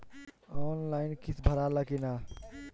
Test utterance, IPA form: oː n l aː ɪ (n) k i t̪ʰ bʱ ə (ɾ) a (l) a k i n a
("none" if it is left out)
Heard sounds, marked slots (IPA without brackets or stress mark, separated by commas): n, ɾ, l